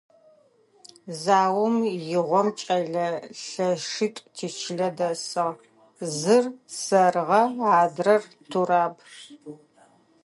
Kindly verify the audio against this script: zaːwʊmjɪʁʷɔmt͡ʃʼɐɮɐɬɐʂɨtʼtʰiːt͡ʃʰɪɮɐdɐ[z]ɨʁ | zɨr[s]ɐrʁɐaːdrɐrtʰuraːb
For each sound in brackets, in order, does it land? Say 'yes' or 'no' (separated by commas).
no, yes